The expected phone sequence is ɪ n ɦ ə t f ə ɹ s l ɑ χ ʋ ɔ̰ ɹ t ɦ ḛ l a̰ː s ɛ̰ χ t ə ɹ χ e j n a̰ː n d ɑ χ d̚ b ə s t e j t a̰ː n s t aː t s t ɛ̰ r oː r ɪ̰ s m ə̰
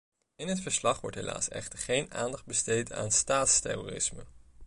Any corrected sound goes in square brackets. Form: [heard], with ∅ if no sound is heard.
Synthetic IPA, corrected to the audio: ɪ n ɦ ə t f ə ɹ s l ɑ χ ʋ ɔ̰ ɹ t ɦ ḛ l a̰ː s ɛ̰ χ t ə ɹ χ e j n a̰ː n d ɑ χ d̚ b ə s t e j t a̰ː n s t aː t s t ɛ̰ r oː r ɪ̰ s m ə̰